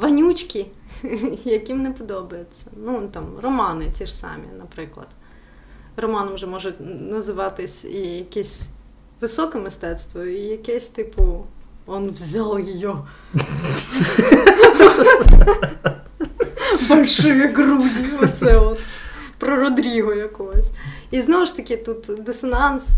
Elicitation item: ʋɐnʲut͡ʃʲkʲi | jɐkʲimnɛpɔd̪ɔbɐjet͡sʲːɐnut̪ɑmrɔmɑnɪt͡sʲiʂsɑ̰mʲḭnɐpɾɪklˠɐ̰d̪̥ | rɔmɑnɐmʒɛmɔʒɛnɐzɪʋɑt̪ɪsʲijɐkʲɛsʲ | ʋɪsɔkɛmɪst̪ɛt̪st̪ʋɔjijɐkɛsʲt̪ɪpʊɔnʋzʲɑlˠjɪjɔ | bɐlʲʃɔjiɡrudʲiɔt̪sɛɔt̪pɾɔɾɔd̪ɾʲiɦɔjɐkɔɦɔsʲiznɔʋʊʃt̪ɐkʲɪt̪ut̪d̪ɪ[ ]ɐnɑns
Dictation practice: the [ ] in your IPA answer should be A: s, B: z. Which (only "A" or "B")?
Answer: A